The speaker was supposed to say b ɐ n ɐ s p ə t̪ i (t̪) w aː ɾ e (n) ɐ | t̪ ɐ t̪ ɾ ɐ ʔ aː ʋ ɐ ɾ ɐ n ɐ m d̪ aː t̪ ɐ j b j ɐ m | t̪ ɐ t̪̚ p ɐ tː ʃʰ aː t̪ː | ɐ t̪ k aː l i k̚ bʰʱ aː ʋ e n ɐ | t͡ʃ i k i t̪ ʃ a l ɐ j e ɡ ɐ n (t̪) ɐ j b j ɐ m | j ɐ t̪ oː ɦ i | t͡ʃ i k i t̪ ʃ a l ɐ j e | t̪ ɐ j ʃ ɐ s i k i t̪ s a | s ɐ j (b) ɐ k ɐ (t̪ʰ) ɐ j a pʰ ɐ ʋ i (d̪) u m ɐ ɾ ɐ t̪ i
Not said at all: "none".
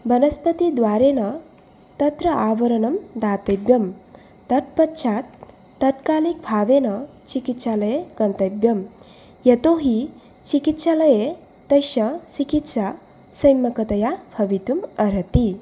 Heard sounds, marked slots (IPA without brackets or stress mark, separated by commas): d̪, n, t̪, m, t̪, t̪